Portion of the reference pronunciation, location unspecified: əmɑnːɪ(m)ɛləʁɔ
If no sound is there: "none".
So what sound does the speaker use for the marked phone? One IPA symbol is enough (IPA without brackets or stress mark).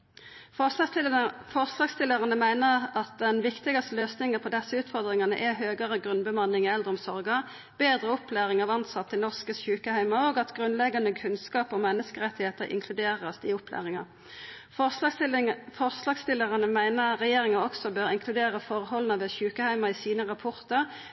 ŋ